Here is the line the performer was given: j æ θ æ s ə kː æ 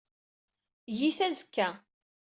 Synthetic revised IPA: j i θ æ z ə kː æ